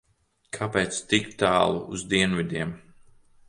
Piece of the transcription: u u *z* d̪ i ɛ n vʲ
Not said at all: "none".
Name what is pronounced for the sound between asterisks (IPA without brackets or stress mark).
z